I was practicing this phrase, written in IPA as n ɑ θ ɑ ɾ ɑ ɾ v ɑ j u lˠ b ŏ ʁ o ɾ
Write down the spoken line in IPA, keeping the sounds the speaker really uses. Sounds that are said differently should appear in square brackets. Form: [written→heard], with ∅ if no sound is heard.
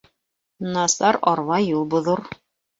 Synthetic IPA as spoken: n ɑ [θ→s] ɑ ɾ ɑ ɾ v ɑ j u lˠ b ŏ [ʁ→ð] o ɾ